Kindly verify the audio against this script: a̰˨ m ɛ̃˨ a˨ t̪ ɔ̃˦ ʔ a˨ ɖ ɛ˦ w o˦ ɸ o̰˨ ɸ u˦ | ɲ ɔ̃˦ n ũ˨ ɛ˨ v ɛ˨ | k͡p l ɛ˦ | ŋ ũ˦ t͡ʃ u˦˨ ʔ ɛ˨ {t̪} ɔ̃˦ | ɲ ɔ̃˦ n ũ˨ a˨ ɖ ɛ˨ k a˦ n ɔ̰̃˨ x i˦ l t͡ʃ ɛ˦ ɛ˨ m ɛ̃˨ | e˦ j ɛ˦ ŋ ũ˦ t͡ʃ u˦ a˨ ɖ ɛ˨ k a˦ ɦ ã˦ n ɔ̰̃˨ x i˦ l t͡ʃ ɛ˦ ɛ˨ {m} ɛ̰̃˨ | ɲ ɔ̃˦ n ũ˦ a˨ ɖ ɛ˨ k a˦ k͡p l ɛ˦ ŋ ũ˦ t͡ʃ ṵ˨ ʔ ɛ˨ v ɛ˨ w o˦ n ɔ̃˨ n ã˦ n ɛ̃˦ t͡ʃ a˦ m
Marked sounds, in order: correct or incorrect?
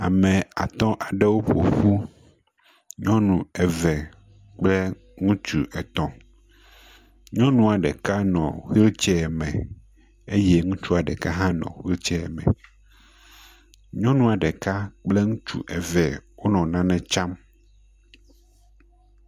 correct, correct

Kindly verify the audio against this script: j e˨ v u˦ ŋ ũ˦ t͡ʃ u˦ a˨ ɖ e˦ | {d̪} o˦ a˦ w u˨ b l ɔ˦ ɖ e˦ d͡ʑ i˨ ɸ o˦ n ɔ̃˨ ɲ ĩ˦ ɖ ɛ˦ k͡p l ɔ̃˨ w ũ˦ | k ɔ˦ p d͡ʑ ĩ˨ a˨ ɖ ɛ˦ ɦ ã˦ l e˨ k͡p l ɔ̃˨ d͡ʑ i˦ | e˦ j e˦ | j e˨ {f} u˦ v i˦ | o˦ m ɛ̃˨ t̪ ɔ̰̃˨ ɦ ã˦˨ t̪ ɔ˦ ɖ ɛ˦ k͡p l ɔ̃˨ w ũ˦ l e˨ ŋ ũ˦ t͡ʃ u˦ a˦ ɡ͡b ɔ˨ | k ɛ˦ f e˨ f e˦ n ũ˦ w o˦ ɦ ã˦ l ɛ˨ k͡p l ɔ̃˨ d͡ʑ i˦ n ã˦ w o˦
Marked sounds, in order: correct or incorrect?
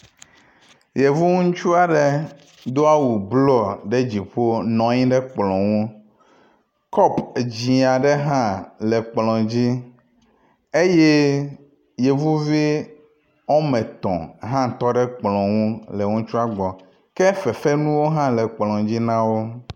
correct, incorrect: v

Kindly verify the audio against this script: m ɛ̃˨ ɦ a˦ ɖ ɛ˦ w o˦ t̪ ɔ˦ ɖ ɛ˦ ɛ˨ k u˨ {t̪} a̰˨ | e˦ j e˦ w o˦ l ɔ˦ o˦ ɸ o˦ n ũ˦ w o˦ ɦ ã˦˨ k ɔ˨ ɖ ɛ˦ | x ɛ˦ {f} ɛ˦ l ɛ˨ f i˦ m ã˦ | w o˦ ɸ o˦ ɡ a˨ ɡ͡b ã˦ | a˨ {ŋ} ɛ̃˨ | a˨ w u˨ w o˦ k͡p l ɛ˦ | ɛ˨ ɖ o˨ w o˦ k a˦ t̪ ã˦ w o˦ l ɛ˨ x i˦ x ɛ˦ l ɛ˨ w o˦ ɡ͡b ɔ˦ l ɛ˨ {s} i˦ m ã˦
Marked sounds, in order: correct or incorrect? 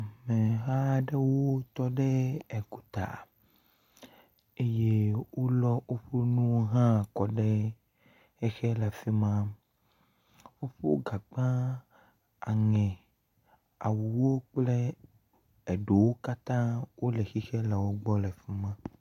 correct, incorrect: x, correct, incorrect: f

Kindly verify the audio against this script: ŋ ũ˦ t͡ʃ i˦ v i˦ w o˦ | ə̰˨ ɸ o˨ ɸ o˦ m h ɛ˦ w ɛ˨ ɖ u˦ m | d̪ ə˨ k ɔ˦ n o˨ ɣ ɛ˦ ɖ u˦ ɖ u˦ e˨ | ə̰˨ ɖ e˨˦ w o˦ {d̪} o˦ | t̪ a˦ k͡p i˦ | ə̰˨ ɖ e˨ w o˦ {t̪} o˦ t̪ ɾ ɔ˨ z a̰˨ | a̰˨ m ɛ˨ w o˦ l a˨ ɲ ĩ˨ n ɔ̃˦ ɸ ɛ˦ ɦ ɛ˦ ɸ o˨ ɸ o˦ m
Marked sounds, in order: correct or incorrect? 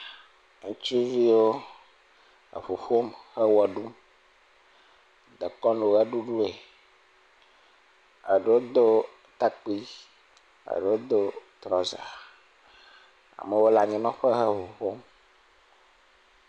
correct, incorrect: d̪

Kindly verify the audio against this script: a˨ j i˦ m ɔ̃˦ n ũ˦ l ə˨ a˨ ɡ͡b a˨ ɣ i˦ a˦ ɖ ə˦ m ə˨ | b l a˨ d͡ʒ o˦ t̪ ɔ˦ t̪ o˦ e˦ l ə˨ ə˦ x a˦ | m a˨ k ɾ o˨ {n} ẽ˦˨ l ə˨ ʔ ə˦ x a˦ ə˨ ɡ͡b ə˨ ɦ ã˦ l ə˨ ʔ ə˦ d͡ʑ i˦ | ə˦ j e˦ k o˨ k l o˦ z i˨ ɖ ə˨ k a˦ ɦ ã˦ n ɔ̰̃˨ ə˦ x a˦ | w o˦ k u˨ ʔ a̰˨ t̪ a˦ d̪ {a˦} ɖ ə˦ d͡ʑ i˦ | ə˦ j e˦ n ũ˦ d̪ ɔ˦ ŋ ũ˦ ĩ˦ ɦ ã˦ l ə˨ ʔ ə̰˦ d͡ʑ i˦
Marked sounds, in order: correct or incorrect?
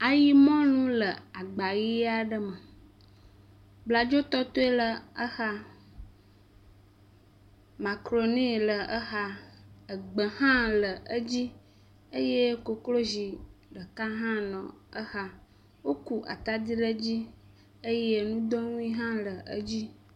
correct, incorrect: i˦

